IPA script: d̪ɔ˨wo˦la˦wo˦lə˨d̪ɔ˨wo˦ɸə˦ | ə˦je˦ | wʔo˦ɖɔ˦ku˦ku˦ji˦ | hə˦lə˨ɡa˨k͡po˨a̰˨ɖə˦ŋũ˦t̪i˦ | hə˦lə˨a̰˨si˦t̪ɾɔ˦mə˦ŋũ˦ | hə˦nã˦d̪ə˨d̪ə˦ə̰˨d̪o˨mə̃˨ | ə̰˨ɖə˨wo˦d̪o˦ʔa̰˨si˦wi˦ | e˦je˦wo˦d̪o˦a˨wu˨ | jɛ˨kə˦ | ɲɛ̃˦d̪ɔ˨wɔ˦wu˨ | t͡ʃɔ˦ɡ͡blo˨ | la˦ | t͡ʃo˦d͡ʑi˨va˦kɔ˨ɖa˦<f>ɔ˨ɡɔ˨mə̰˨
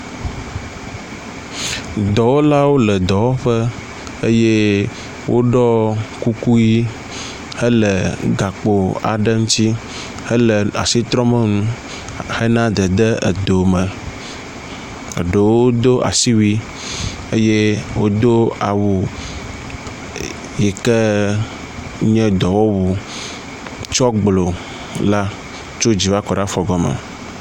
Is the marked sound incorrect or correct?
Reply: correct